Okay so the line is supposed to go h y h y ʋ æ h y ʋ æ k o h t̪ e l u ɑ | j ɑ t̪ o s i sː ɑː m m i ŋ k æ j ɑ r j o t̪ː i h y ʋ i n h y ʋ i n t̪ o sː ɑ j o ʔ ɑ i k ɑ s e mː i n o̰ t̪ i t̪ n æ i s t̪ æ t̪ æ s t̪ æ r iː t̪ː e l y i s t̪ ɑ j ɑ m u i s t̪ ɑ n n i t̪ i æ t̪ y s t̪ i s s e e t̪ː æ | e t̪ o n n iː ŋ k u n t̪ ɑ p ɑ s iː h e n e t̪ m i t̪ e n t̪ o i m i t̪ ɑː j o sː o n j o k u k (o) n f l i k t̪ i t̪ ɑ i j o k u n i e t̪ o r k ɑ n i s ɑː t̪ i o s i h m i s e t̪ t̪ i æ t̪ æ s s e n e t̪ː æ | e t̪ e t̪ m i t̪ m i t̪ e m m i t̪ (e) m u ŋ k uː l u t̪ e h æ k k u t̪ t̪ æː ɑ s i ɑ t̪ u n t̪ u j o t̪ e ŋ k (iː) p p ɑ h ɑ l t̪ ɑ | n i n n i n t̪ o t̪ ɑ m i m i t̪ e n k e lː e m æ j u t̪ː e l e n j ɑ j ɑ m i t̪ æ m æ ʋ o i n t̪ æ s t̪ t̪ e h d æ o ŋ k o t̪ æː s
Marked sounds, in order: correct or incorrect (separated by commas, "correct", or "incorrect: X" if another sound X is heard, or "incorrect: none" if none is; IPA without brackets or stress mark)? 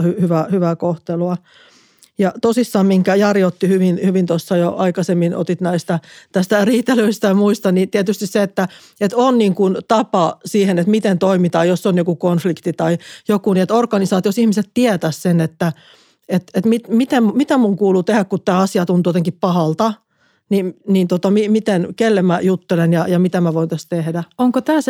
correct, incorrect: æ, incorrect: i